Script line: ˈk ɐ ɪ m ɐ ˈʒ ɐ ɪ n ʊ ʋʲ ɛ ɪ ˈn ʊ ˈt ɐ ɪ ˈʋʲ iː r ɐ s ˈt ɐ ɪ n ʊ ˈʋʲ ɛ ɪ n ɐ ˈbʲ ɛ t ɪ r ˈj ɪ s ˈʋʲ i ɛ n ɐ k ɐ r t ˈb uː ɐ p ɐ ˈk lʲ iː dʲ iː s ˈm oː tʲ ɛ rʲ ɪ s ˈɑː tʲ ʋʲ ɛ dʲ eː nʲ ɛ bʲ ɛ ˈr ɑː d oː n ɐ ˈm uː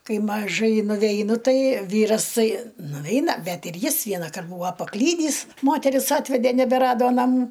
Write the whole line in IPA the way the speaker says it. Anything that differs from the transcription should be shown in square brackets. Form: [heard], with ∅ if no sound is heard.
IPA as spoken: ˈk ɐ ɪ m ɐ ˈʒ ɐ ɪ n ʊ ʋʲ ɛ ɪ ˈn ʊ ˈt ɐ ɪ ˈʋʲ iː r ɐ s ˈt ɐ ɪ n ʊ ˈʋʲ ɛ ɪ n ɐ ˈbʲ ɛ t ɪ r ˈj ɪ s ˈʋʲ i ɛ n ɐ k ɐ r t ˈb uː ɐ p ɐ ˈk lʲ iː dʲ iː s ˈm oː tʲ ɛ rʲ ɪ s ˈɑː tʲ ʋʲ ɛ dʲ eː nʲ ɛ bʲ ɛ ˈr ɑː d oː n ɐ ˈm uː

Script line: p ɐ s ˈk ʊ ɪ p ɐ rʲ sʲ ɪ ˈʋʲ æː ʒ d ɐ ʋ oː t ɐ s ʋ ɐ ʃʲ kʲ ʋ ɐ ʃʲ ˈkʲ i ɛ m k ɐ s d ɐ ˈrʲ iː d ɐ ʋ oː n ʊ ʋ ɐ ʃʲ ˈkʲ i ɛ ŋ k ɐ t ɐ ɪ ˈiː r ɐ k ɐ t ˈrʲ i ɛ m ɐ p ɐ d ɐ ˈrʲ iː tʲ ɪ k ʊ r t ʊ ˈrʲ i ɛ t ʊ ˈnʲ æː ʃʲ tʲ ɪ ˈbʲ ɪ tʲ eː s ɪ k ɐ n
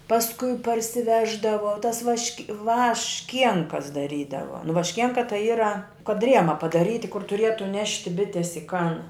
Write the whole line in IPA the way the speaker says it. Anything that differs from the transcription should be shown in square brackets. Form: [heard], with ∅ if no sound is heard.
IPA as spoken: p ɐ s ˈk ʊ ɪ p ɐ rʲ sʲ ɪ ˈʋʲ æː ʒ d ɐ ʋ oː t ɐ s ʋ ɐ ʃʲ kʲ ʋ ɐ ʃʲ ˈkʲ i ɛ [ŋ] k ɐ s d ɐ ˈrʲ iː d ɐ ʋ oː n ʊ ʋ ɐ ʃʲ ˈkʲ i ɛ ŋ k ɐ t ɐ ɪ ˈiː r ɐ k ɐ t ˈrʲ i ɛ m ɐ p ɐ d ɐ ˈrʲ iː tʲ ɪ k ʊ r t ʊ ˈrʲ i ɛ t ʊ ˈnʲ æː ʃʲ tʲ ɪ ˈbʲ ɪ tʲ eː s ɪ k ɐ n

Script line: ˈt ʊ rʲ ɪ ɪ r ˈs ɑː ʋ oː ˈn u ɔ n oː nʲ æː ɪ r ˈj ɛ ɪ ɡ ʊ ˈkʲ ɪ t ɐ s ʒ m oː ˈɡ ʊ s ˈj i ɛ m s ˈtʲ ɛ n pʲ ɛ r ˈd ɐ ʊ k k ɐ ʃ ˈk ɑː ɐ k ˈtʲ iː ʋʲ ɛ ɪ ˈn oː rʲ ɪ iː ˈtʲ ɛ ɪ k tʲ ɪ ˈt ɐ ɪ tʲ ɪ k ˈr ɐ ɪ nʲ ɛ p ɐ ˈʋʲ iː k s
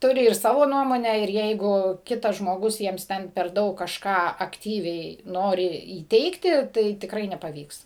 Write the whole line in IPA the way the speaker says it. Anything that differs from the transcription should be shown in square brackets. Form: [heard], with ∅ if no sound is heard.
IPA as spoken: ˈt ʊ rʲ ɪ ɪ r ˈs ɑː ʋ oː ˈn u ɔ [m] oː nʲ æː ɪ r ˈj ɛ ɪ ɡ ʊ ˈkʲ ɪ t ɐ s ʒ m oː ˈɡ ʊ s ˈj i ɛ m s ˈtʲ ɛ n pʲ ɛ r ˈd ɐ ʊ k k ɐ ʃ ˈk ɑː ɐ k ˈtʲ iː ʋʲ ɛ ɪ ˈn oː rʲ ɪ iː ˈtʲ ɛ ɪ k tʲ ɪ ˈt ɐ ɪ tʲ ɪ k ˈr ɐ ɪ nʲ ɛ p ɐ ˈʋʲ iː k s

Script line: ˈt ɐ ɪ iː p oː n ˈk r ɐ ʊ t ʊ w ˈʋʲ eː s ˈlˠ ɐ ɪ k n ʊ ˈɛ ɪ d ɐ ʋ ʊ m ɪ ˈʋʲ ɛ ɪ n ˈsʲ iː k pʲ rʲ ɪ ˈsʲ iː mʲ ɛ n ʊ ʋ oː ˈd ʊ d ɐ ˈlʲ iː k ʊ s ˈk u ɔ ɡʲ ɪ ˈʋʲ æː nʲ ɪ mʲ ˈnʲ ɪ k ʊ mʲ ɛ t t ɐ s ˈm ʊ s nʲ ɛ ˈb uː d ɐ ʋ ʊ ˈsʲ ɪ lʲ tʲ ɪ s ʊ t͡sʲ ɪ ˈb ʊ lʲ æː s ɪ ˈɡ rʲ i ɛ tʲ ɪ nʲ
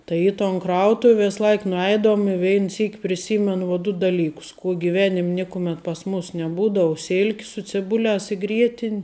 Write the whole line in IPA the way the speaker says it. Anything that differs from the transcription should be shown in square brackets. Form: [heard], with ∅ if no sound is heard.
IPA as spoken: ˈt ɐ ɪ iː [t] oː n ˈk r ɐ ʊ t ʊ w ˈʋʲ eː s ˈlˠ ɐ ɪ k n ʊ ˈɛ ɪ d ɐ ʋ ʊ m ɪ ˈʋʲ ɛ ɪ n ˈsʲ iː k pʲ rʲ ɪ ˈsʲ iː mʲ ɛ n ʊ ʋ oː ˈd ʊ d ɐ ˈlʲ iː k ʊ s ˈk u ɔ ɡʲ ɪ ˈʋʲ æː nʲ ɪ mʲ ˈnʲ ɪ k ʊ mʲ ɛ t [p] ɐ s ˈm ʊ s nʲ ɛ ˈb uː d ɐ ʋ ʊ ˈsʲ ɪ lʲ [kʲ] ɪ s ʊ t͡sʲ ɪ ˈb ʊ lʲ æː s ɪ ˈɡ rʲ i ɛ tʲ ɪ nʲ

